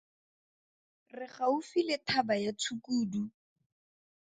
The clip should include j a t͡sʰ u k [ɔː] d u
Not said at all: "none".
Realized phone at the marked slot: uː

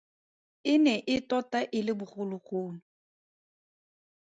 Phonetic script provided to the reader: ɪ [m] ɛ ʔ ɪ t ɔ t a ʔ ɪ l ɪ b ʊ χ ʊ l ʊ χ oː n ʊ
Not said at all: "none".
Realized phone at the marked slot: n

